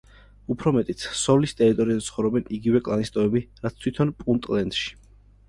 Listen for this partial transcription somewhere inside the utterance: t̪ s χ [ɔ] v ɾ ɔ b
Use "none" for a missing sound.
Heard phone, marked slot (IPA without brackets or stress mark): ɔ